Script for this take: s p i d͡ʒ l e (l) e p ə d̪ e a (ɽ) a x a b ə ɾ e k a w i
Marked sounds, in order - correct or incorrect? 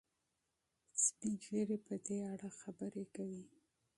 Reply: incorrect: ɾ, correct

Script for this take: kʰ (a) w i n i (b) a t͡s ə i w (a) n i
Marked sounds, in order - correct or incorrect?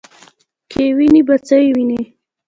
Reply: incorrect: e, correct, incorrect: i

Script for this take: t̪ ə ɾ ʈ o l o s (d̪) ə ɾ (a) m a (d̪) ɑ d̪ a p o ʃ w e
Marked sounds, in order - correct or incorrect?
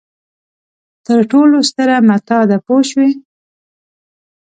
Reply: incorrect: t̪, correct, incorrect: t̪

